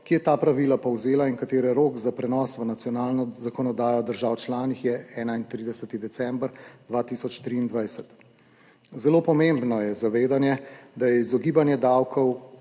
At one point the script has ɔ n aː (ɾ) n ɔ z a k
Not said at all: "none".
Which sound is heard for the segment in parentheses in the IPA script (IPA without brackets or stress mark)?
l